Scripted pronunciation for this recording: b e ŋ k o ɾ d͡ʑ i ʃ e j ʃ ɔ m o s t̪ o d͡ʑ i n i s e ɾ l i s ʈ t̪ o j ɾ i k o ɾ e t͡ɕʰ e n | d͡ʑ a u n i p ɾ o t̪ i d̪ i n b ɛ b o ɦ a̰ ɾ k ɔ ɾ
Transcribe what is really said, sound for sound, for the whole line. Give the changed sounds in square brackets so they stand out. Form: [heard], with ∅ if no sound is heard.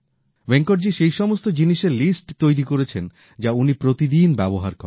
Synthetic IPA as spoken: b e ŋ k o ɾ d͡ʑ i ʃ e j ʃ ɔ m o s t̪ o d͡ʑ i n i [ʃ] e ɾ l i s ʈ t̪ o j ɾ i k o ɾ e t͡ɕʰ e n | d͡ʑ a u n i p ɾ o t̪ i d̪ i n b ɛ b o ɦ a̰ ɾ k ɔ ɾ